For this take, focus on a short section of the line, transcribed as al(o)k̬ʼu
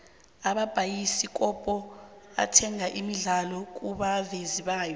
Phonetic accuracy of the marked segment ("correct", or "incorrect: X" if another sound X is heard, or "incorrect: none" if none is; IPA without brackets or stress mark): incorrect: ɔ